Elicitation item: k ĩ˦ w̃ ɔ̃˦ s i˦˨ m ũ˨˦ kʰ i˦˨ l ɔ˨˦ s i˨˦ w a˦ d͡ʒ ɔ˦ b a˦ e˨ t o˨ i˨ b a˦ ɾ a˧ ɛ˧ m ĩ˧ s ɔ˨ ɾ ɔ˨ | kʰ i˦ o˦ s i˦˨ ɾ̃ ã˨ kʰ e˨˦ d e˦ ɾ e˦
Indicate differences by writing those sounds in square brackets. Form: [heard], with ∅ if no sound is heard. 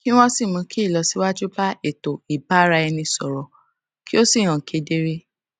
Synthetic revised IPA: k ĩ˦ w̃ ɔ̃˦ s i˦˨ m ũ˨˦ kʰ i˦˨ l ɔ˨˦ s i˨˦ w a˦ d͡ʒ [u˦] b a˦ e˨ t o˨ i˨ b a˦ ɾ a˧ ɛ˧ [n] ĩ˧ s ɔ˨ ɾ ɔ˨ | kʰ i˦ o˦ s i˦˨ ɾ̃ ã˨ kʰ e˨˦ d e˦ ɾ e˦